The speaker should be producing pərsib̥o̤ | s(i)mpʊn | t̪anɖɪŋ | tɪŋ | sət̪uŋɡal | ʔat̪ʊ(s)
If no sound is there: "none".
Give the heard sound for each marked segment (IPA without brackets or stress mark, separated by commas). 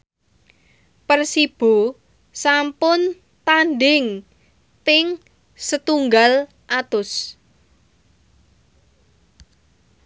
a, s